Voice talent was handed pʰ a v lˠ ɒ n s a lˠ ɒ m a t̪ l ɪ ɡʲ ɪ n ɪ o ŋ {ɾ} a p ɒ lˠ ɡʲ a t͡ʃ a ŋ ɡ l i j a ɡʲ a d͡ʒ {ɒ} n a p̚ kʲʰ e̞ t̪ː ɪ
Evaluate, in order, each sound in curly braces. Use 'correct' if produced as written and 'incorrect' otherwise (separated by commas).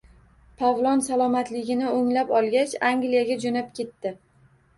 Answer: incorrect, incorrect